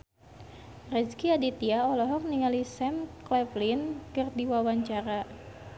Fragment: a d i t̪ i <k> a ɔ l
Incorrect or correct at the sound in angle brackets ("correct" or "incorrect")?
incorrect